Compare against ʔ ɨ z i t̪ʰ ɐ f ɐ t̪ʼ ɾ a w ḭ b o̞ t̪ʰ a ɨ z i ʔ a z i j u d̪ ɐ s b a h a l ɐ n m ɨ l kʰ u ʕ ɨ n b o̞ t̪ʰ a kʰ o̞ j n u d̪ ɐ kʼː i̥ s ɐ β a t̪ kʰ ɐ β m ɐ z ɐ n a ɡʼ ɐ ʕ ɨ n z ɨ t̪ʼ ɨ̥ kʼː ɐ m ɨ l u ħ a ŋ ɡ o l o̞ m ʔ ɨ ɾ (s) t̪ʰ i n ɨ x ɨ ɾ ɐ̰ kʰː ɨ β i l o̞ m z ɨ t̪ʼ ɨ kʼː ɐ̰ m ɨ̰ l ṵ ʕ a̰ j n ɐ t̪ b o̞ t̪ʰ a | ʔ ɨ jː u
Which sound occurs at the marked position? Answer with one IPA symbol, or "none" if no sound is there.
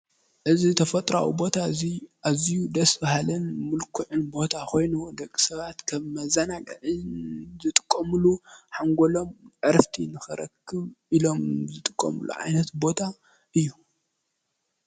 f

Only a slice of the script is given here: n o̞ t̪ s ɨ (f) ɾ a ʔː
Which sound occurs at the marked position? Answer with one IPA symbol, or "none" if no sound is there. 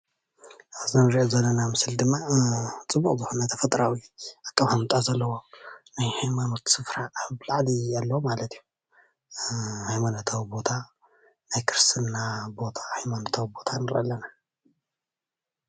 f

